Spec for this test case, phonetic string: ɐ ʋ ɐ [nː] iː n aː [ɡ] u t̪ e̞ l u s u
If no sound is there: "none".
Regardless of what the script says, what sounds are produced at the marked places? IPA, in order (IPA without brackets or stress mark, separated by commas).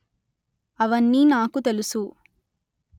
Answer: nː, k